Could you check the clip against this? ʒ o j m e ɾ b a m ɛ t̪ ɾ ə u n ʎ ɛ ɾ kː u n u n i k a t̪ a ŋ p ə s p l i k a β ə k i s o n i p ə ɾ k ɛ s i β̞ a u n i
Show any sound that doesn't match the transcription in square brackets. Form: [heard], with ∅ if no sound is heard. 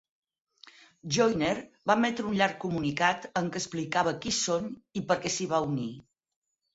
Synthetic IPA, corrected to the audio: ʒ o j [n] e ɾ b a m ɛ t̪ ɾ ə u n ʎ [a] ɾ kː u [m] u n i k a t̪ [ə] ŋ [k] ə s p l i k a β ə k i s o n i p ə ɾ k ɛ s i β̞ a u n i